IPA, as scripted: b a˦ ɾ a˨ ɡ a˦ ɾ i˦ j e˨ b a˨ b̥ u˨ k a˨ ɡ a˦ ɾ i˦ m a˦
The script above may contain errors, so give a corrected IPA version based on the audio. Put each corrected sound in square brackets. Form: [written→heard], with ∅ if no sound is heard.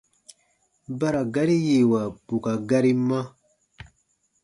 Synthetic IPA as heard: b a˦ ɾ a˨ ɡ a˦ ɾ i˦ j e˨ [b→w] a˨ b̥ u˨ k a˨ ɡ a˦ ɾ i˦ m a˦